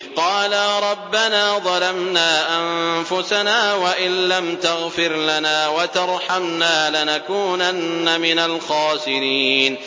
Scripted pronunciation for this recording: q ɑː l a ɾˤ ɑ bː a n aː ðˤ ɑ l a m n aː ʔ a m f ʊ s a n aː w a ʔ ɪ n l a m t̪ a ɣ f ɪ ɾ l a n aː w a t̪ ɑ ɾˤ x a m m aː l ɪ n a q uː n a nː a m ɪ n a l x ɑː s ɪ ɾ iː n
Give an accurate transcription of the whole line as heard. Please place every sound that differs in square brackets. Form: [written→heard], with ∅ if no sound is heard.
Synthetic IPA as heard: q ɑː l a ɾˤ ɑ bː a n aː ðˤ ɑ l a m n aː ʔ a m f ʊ s a n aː w a ʔ ɪ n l a m t̪ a ɣ f ɪ ɾ l a n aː w a t̪ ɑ ɾˤ [x→ħ] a m [m→n] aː l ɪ n a [q→k] uː n a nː a m ɪ n a l x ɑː s ɪ ɾ iː n